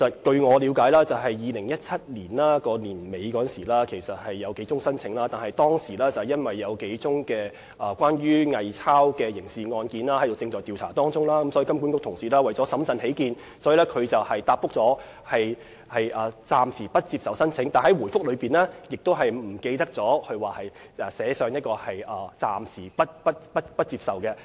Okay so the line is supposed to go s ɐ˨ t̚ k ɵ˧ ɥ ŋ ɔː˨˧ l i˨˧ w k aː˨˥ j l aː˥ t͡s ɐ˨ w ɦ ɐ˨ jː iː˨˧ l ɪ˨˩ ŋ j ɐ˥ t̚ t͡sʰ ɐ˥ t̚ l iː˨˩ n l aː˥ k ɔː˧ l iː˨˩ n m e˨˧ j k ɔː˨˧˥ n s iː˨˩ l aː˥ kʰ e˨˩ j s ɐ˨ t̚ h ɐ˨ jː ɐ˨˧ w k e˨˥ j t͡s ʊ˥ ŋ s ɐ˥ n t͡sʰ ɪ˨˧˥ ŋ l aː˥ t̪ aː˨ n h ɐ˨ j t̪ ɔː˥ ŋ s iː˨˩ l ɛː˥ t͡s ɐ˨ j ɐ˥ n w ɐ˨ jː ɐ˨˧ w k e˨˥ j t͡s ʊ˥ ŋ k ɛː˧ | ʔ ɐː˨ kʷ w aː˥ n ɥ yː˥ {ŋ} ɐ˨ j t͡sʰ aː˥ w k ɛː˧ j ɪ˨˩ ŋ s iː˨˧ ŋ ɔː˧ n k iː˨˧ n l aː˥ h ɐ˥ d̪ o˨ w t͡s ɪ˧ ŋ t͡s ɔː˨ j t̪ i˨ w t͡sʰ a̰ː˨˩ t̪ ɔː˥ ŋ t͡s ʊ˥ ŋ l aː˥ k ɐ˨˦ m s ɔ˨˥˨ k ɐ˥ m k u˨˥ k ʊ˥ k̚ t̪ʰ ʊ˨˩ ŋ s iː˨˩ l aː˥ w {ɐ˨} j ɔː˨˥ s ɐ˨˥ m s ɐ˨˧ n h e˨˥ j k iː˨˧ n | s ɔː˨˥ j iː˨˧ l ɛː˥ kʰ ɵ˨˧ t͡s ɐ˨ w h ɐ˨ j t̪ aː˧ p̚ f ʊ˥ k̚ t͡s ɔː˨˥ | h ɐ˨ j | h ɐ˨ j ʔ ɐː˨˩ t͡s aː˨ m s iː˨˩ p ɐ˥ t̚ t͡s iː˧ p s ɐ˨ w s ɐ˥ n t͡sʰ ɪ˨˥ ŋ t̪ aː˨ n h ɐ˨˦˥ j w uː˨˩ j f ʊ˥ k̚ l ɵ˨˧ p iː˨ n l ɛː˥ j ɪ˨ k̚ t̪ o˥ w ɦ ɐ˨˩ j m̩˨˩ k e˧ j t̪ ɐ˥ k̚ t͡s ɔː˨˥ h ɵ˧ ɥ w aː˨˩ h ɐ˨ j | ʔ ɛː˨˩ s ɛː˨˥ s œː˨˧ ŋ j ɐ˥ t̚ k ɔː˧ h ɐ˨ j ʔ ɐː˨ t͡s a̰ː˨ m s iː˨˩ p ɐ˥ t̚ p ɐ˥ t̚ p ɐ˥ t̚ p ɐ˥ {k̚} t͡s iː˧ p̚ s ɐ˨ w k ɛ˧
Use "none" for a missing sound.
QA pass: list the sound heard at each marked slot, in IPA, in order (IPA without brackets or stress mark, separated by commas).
ŋ, ɐ˨, t̚